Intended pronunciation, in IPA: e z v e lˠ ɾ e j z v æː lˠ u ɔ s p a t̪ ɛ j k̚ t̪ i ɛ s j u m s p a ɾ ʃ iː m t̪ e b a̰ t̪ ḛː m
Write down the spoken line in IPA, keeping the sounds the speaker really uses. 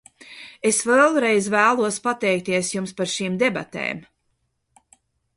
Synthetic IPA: e s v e lˠ ɾ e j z v æː lˠ u ɔ s p a t̪ ɛ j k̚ t̪ i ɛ s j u m s p a ɾ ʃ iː m d̪ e b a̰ t̪ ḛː m

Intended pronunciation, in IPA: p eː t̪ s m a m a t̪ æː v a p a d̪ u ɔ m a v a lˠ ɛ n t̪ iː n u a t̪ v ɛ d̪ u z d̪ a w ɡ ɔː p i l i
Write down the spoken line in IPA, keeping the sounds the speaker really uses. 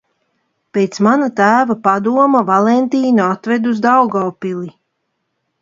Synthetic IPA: p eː t̪ s m a n a t̪ æː v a p a d̪ u ɔ m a v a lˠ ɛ n t̪ iː n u a t̪ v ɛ d̪ u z d̪ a w ɡ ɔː p i l i

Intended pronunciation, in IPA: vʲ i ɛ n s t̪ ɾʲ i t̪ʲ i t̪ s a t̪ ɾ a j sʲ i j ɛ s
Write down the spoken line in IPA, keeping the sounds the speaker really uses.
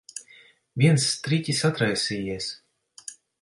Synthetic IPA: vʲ i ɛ n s t̪ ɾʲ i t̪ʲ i s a t̪ ɾ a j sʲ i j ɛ s

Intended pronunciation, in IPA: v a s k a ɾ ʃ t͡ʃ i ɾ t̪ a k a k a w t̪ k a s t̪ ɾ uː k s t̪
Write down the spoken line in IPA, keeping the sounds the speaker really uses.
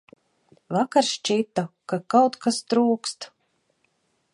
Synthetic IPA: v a k a ɾ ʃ t͡ʃ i t̪ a k a k a w t̪ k a s t̪ ɾ uː k s t̪

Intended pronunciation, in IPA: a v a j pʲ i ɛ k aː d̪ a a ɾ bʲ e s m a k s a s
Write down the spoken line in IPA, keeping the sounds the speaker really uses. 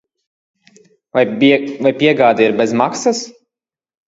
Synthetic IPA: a v a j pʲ i ɛ ɡ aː d̪ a i ɾ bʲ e z m a k s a s

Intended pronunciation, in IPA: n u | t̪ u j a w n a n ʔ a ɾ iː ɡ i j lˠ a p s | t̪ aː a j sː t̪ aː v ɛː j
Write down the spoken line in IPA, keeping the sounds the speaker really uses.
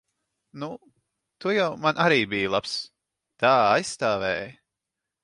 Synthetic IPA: n u | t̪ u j a w m a n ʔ a ɾ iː b i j lˠ a p s | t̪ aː a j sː t̪ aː v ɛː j

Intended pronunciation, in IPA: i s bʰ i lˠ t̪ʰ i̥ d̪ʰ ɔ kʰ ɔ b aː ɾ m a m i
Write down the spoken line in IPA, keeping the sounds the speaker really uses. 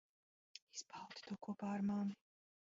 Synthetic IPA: i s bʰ a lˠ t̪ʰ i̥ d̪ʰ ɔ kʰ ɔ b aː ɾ m a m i

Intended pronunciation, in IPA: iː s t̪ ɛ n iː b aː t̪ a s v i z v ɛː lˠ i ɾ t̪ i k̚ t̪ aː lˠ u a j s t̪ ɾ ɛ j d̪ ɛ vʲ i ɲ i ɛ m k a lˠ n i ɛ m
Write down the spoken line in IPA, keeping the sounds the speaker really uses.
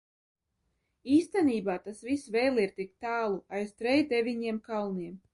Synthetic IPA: iː s t̪ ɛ n iː b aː t̪ a s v i s v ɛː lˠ i ɾ t̪ i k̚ t̪ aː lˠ u a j s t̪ ɾ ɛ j d̪ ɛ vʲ i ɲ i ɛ m k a lˠ n i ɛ m

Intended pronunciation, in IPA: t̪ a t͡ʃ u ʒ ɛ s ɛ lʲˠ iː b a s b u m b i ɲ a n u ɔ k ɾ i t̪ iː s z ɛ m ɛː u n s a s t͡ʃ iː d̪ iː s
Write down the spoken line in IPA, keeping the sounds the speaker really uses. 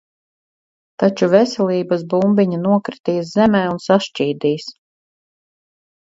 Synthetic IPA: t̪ a t͡ʃ u v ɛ s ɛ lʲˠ iː b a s b u m b i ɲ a n u ɔ k ɾ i t̪ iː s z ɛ m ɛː u n s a ʃ t͡ʃ iː d̪ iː s

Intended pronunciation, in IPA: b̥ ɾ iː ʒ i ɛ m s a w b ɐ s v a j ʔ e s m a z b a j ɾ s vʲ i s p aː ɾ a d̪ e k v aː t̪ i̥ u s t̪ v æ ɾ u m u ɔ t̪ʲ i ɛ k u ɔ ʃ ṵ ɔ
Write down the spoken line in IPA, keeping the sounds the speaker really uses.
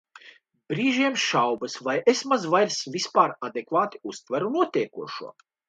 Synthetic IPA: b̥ ɾ iː ʒ i ɛ m ʃ a w b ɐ s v a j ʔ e s m a z v a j ɾ s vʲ i s p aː ɾ a d̪ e k v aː t̪ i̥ u s t̪ v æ ɾ u n u ɔ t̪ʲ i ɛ k u ɔ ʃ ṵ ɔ

